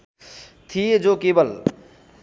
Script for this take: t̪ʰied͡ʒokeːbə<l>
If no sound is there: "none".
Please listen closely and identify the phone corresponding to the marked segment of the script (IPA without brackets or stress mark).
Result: l